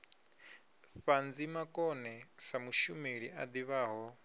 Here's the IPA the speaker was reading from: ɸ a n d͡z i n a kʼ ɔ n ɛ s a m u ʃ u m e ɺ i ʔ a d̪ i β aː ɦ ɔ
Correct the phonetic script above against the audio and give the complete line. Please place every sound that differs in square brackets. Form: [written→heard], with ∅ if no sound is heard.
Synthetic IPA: ɸ a n d͡z i [n→m] a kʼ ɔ n ɛ s a m u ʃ u m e ɺ i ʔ a d̪ i β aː ɦ ɔ